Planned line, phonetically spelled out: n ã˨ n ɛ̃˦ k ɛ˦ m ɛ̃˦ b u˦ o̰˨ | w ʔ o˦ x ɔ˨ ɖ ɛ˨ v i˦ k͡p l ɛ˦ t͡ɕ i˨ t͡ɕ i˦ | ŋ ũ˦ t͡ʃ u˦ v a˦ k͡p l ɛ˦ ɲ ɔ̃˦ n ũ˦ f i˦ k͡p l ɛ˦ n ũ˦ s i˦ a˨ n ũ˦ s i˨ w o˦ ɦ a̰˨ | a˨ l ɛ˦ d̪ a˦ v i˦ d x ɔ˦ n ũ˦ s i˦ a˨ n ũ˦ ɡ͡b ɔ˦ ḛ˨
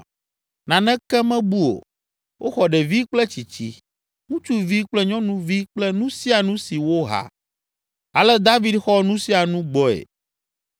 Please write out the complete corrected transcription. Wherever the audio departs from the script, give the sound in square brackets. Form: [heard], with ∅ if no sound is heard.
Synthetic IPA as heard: n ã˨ n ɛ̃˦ k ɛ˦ m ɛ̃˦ b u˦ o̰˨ | w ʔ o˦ x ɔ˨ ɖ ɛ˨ v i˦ k͡p l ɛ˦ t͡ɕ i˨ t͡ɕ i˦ | ŋ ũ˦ t͡ʃ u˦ v [i˦] k͡p l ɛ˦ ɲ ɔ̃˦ n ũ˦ [v] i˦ k͡p l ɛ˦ n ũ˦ s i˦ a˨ n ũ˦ s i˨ w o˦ ɦ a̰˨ | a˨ l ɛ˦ d̪ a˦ v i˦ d x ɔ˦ n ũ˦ s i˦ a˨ n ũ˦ ɡ͡b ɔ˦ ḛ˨

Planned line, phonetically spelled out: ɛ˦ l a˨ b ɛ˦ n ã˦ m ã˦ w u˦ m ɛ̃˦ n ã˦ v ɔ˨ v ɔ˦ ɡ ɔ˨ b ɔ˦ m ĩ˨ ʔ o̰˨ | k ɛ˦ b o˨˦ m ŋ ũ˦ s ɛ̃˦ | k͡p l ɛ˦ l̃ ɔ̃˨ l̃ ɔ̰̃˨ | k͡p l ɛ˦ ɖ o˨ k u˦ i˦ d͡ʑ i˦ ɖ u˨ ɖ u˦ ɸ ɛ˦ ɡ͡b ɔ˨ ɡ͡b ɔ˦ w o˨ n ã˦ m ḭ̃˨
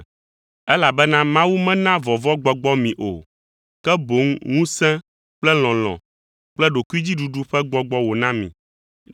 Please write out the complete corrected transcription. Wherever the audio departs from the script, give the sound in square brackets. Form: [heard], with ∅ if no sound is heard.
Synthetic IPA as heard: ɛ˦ l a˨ b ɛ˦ n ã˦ m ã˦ w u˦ m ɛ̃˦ n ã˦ v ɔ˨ v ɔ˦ [ɡ͡b] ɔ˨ [ɡ͡b] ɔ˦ m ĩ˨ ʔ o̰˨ | k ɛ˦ b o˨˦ [ŋ] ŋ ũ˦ s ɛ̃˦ | k͡p l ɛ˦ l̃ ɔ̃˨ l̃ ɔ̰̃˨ | k͡p l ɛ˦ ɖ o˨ k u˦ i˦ d͡ʑ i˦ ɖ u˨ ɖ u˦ ɸ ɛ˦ ɡ͡b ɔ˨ ɡ͡b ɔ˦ w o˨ n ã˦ m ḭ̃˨

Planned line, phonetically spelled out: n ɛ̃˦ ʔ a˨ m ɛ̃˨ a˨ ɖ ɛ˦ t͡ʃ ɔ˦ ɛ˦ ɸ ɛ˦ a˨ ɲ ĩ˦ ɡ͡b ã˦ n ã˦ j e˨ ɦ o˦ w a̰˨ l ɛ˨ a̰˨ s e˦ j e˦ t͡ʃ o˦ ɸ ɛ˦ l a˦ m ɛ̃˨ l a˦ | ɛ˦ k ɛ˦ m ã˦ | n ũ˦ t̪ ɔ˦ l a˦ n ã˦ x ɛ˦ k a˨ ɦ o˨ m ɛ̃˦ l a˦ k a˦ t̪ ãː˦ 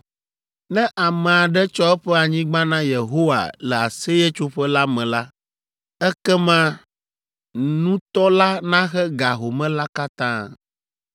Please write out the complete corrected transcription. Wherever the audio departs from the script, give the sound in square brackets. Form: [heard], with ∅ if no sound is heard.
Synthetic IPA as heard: n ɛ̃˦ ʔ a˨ m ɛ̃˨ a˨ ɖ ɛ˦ t͡ʃ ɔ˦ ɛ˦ ɸ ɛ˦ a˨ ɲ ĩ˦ ɡ͡b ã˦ n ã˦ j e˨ ɦ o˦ w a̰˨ l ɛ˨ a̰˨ s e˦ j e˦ t͡ʃ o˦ ɸ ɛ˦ l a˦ m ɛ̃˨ l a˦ | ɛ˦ k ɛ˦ m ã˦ | n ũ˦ t̪ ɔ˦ l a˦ n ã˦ x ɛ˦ [ɡ] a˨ ɦ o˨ m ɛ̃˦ l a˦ k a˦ t̪ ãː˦

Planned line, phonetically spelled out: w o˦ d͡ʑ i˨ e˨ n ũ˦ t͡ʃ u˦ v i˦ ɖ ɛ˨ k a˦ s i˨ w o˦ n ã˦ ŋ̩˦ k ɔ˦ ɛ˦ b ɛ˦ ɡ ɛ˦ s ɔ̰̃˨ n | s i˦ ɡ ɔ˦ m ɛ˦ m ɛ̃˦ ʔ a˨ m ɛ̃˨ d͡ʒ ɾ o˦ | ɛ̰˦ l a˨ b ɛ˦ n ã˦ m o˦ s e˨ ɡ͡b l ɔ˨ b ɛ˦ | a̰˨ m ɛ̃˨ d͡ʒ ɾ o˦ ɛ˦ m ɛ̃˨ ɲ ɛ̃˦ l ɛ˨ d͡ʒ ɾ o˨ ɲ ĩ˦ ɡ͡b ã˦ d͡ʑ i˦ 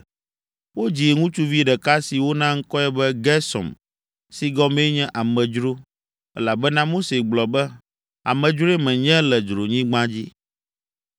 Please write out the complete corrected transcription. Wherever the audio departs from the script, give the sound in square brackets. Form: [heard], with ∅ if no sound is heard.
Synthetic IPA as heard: w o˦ d͡ʑ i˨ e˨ [ŋ] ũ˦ t͡ʃ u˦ v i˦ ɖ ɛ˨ k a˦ s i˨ w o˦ n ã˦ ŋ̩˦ k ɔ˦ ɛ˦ b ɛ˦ ɡ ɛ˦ s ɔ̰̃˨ [m] | s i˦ ɡ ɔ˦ m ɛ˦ [ɲ] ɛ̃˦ ʔ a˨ m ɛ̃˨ d͡ʒ ɾ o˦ | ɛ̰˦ l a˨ b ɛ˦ n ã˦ m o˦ s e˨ ɡ͡b l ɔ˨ b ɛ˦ | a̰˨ m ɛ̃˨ d͡ʒ ɾ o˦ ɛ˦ m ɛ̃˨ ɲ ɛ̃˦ l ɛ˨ d͡ʒ ɾ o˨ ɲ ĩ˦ ɡ͡b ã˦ d͡ʑ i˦

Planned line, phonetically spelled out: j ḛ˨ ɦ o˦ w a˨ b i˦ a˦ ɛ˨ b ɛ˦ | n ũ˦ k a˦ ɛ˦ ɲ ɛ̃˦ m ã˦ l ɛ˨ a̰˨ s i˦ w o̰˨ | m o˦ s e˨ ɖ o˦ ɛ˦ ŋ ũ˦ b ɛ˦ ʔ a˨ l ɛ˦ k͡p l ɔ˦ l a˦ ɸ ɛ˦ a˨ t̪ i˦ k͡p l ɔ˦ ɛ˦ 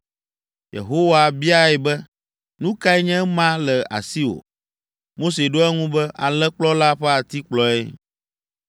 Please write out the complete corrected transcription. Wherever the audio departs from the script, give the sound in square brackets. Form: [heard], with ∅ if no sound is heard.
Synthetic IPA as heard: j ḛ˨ ɦ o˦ w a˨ b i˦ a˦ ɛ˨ b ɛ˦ | n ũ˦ k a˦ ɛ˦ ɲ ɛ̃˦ m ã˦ l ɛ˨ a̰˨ s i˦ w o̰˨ | m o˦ s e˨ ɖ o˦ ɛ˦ ŋ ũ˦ b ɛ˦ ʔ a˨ l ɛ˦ k͡p l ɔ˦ l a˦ ɸ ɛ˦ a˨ t̪ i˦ k͡p l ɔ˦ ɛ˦

